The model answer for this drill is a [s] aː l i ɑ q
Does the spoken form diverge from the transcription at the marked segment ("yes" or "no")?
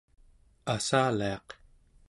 no